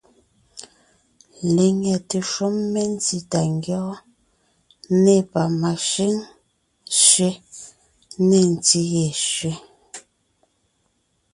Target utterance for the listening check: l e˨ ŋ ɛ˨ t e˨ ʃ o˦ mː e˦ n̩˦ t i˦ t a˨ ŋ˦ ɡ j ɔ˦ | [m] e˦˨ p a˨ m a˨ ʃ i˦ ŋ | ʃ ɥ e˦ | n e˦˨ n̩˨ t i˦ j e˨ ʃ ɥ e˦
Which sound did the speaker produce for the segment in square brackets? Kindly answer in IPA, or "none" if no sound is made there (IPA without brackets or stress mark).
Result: n